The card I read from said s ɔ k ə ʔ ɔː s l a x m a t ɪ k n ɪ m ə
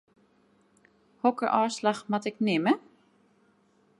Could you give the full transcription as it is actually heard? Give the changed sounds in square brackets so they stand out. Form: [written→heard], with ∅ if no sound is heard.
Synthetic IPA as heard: [s→h] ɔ k ə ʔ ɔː s l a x m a t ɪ k n ɪ m ə